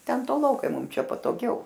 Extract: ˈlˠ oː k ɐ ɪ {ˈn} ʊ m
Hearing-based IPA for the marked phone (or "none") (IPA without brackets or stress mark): m